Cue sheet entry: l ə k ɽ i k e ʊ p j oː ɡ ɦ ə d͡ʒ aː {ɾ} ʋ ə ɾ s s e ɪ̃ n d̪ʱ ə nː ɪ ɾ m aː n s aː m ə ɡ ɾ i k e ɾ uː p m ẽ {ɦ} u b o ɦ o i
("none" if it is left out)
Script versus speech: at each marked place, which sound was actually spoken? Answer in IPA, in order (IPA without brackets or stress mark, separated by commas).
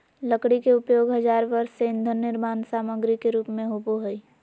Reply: ɾ, ɦ